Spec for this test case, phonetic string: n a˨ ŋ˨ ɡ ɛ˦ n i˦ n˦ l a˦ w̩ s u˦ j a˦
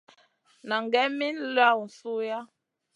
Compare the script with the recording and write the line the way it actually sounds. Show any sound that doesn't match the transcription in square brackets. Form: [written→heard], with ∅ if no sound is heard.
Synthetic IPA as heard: n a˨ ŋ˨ ɡ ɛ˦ [n→m] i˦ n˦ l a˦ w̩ s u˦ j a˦